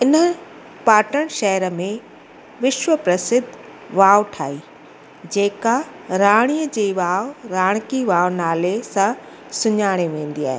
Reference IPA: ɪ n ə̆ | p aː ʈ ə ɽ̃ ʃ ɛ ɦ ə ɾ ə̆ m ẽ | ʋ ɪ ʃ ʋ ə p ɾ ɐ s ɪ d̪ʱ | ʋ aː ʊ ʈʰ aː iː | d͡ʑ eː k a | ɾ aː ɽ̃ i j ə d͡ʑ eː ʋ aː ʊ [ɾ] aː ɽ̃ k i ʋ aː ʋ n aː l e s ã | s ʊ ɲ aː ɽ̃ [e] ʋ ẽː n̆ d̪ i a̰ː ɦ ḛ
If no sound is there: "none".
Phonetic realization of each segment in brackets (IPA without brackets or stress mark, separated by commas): ɾ, e